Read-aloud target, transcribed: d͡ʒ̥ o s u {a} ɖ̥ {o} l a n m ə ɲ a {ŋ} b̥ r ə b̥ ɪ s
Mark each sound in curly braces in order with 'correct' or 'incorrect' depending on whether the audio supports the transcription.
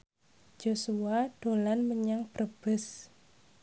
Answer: correct, correct, correct

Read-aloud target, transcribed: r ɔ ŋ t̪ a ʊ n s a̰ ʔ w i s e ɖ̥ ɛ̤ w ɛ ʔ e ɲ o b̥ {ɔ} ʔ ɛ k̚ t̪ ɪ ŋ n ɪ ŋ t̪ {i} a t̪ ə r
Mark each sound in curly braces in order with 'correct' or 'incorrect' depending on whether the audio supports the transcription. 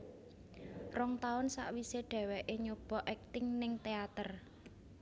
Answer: correct, incorrect: e

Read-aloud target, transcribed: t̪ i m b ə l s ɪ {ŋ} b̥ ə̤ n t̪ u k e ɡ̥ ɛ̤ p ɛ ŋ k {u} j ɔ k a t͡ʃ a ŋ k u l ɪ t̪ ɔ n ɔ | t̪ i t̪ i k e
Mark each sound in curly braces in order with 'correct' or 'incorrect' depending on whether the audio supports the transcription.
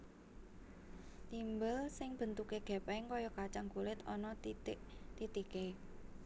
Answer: correct, incorrect: ɔ

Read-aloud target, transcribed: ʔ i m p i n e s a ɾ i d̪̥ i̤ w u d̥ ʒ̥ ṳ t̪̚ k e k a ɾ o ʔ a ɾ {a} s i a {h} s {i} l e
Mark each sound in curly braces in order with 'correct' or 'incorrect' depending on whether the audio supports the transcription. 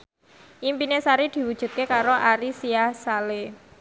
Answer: incorrect: i, correct, incorrect: a

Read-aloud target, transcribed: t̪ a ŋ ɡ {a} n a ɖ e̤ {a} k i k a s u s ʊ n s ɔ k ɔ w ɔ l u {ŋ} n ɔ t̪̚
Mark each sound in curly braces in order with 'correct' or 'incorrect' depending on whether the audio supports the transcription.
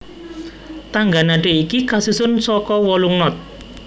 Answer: correct, incorrect: i, correct

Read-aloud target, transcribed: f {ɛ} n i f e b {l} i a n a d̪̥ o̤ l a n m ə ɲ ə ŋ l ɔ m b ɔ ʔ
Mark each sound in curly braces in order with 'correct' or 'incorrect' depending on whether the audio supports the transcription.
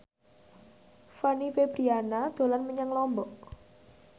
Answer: incorrect: a, incorrect: ɾ

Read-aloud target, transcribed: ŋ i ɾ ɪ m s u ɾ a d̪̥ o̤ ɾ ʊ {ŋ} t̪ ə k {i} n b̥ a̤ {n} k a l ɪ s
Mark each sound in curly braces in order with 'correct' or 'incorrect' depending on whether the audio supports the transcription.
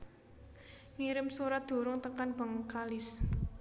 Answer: correct, incorrect: a, incorrect: ŋ

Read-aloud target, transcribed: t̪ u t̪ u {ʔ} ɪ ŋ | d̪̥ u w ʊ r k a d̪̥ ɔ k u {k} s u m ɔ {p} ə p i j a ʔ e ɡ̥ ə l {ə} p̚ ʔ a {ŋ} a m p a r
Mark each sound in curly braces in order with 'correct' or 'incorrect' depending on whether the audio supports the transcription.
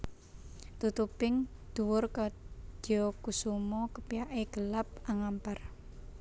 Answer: incorrect: p, incorrect: none, incorrect: k, incorrect: a, correct

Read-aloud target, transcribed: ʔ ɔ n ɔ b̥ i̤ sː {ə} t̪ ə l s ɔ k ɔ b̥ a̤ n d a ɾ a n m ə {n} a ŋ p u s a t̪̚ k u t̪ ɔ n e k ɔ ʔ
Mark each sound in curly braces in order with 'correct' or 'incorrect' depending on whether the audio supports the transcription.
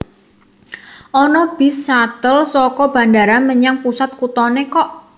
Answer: incorrect: a, incorrect: ɲ

